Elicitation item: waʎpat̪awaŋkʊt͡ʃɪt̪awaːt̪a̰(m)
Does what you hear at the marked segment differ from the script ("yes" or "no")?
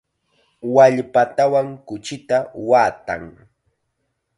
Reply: yes